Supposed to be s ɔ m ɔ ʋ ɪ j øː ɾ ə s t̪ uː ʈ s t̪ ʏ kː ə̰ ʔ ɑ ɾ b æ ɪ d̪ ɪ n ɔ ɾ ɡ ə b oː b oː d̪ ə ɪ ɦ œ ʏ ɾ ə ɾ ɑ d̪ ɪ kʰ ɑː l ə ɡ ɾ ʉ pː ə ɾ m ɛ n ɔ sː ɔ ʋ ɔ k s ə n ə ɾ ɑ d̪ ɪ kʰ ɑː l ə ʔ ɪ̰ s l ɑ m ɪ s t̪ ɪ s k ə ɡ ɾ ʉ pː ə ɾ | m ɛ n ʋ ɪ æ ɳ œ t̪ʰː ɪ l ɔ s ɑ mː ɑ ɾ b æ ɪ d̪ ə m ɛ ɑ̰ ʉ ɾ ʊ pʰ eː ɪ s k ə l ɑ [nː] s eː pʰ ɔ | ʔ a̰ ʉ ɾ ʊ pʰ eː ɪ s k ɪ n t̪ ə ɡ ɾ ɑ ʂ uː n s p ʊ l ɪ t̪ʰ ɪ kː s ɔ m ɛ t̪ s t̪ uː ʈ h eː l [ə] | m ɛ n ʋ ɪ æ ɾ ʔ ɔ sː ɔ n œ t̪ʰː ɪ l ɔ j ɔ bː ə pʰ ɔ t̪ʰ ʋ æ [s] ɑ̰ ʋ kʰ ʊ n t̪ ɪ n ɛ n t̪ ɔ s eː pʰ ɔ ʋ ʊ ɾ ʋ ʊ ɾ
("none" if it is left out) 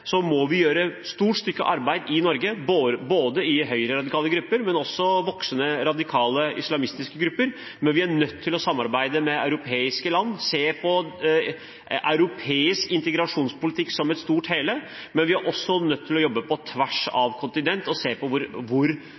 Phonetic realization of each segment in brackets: nː, ə, ʂ

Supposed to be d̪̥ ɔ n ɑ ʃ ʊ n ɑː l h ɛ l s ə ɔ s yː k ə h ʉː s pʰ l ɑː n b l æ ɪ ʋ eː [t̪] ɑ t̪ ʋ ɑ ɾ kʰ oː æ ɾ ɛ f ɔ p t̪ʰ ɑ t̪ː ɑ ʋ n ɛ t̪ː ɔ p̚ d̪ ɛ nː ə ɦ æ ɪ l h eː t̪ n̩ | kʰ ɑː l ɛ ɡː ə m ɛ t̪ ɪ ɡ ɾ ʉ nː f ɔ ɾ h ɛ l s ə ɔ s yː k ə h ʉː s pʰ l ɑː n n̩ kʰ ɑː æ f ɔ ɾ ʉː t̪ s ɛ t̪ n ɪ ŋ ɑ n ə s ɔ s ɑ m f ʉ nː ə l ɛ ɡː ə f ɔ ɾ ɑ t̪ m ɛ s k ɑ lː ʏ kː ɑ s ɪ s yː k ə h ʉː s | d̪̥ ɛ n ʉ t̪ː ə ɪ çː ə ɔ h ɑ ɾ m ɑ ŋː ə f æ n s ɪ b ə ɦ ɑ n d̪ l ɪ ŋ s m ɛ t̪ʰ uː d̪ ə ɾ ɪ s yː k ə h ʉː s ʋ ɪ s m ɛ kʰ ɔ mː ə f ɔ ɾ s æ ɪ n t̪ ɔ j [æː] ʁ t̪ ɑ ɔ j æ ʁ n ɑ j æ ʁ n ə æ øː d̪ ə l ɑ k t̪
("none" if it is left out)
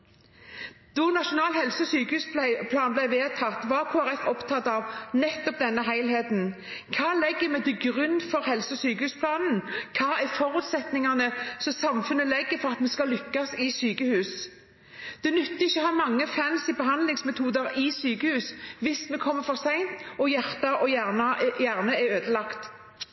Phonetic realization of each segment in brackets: t̪ʰ, æ

